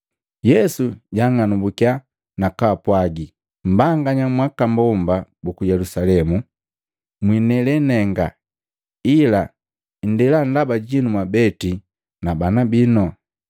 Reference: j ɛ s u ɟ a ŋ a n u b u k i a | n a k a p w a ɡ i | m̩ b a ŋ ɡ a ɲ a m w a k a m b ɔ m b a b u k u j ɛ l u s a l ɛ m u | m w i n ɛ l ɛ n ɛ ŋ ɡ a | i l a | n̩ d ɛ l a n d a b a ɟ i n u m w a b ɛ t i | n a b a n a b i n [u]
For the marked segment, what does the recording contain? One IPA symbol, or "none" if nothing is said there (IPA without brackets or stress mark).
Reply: ɔ